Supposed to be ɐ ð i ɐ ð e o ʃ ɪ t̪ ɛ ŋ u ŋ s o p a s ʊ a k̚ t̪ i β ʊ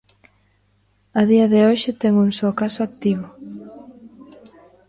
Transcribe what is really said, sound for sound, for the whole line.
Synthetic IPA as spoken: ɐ ð i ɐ ð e o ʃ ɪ t̪ ɛ ŋ u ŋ s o k a s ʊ a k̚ t̪ i β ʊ